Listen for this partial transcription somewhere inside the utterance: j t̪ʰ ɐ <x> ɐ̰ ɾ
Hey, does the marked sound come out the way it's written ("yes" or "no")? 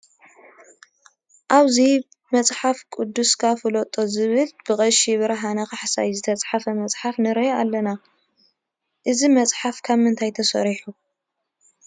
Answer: no